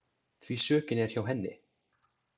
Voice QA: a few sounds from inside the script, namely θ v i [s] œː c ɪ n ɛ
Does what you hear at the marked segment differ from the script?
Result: no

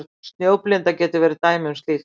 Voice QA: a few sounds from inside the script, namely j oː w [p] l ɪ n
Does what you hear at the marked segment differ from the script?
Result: no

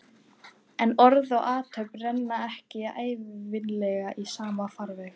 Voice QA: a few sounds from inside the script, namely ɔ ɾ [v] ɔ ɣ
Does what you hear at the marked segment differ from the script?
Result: yes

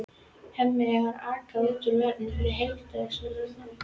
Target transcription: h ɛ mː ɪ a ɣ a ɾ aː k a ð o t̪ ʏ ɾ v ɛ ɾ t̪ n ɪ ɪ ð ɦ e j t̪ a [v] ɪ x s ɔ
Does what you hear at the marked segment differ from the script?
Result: yes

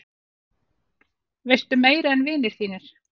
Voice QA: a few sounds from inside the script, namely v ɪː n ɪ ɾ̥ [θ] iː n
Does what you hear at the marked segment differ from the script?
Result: no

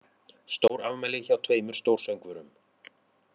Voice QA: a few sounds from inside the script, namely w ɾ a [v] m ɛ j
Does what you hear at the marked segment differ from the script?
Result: no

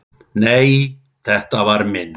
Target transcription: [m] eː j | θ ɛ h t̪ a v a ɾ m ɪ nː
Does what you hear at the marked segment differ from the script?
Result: yes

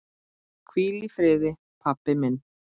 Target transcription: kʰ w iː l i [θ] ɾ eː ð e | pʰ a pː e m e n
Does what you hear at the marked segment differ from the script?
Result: yes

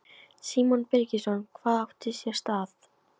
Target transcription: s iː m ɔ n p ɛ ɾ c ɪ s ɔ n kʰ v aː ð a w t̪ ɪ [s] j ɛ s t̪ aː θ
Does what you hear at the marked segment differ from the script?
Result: no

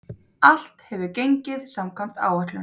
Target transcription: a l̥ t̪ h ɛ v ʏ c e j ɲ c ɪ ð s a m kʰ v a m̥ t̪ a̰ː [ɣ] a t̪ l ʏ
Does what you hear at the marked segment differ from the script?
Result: yes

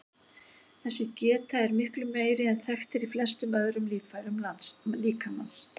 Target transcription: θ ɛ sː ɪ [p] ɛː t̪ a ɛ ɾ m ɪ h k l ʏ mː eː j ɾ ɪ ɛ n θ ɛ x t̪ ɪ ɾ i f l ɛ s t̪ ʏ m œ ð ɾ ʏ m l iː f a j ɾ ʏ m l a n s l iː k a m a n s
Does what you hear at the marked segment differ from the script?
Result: yes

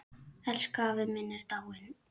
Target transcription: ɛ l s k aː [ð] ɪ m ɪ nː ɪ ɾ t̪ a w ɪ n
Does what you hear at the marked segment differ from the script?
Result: yes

